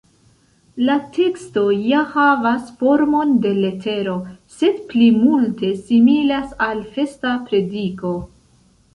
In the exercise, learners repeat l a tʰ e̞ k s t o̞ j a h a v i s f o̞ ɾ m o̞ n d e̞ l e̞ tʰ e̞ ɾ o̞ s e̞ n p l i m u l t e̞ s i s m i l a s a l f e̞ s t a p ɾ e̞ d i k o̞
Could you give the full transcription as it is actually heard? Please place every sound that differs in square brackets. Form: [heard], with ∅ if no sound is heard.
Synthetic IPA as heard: l a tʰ e̞ k s t o̞ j a h a v [a] s f o̞ ɾ m o̞ n d e̞ l e̞ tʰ e̞ ɾ o̞ s e̞ [d] p l i m u l t e̞ s i [∅] m i l a s a l f e̞ s t a p ɾ e̞ d i k o̞